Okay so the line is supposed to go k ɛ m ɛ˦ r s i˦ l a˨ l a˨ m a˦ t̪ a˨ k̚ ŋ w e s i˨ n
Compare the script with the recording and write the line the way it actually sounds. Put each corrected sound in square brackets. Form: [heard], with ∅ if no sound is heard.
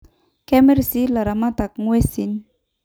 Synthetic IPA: k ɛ m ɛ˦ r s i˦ l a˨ [ɾ] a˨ m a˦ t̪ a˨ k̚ ŋ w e s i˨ n